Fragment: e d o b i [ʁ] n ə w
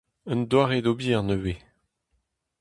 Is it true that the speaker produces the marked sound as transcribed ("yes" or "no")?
yes